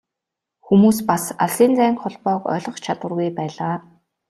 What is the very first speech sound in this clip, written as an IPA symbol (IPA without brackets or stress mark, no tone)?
x